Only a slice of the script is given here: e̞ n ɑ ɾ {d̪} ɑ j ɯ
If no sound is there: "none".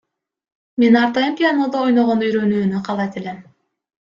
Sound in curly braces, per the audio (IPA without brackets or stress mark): t̪